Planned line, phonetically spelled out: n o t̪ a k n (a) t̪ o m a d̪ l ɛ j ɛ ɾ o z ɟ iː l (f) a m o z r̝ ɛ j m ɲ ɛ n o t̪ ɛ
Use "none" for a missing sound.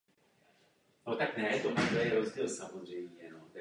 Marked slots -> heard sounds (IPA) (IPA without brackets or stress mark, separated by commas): ɛ, s